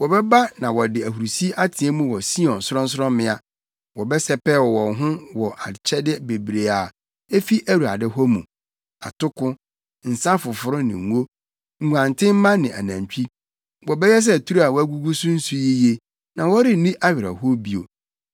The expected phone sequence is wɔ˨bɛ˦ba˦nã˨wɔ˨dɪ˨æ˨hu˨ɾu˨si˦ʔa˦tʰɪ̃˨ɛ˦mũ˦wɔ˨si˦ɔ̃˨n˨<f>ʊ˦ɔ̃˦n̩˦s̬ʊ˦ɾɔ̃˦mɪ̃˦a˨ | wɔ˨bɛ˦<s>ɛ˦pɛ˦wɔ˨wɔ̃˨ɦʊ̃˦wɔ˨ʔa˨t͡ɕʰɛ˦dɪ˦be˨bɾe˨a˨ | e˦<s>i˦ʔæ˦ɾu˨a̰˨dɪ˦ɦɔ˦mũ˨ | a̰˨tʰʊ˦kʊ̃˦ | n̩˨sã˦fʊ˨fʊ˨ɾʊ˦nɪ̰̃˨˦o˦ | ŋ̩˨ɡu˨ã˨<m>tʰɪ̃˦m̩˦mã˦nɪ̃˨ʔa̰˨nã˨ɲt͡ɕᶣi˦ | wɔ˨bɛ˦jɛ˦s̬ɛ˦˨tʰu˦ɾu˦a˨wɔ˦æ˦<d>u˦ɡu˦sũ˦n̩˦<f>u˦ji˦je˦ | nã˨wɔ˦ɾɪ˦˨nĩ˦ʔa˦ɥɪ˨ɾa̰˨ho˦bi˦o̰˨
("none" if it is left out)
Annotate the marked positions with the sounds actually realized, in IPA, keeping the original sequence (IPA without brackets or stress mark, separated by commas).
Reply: s, s, f, n, ɡ, s